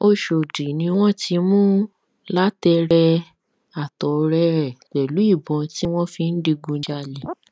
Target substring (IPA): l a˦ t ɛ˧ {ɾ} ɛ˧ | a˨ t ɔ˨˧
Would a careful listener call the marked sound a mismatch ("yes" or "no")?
no